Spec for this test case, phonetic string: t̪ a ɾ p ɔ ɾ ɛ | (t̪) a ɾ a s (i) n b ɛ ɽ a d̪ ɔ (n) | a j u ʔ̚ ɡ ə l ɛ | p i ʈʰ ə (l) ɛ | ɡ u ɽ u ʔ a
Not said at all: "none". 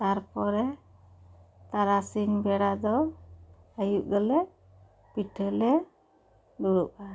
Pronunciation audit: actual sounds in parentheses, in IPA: t̪, i, none, l

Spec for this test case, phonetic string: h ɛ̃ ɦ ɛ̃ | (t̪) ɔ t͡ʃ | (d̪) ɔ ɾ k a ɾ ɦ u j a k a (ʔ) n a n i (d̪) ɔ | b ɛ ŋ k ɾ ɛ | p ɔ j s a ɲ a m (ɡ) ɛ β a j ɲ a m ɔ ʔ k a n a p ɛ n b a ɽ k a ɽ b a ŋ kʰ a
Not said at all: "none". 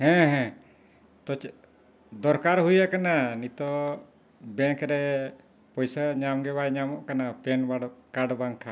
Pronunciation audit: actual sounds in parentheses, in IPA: t̪, d̪, none, t̪, ɡ

